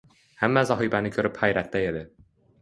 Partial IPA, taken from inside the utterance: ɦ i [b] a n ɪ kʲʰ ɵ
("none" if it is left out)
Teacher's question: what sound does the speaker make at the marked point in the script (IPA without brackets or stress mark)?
b